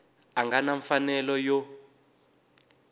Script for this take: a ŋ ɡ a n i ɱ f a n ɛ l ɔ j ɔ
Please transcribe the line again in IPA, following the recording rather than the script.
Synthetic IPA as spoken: a ŋ ɡ a n a ɱ f a n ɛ l ɔ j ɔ